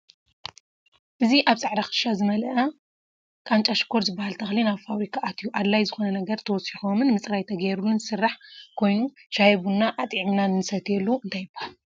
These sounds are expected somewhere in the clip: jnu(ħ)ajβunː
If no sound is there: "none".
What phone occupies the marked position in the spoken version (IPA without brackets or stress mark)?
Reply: ʃ